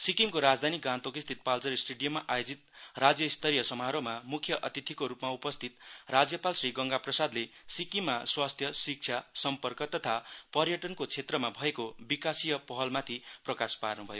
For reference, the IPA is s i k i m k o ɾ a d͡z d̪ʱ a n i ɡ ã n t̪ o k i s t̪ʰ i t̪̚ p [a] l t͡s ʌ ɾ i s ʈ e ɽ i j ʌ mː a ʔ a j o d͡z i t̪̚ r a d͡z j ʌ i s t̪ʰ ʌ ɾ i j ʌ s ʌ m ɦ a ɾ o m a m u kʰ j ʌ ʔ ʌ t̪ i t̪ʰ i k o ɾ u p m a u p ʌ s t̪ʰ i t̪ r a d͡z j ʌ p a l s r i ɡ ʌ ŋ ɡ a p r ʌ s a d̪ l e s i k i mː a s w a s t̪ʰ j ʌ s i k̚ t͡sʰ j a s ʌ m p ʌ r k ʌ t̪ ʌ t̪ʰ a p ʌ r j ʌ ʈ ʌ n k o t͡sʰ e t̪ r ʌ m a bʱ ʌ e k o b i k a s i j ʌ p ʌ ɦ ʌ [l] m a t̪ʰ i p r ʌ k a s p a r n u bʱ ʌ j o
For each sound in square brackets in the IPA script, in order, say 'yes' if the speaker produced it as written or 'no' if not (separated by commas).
yes, yes